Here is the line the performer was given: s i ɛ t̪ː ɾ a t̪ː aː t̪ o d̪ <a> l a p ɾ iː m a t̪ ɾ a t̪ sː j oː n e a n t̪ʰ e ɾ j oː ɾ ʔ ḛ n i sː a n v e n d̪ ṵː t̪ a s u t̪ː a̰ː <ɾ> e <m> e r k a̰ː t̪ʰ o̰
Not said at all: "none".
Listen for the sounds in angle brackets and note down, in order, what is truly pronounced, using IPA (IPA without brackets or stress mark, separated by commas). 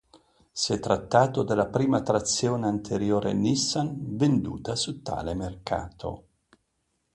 e, l, m